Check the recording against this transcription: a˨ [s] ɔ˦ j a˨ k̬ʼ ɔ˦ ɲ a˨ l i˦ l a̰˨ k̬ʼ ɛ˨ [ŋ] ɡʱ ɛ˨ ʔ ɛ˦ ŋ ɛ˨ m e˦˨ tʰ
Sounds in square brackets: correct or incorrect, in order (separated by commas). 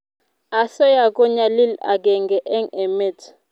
correct, correct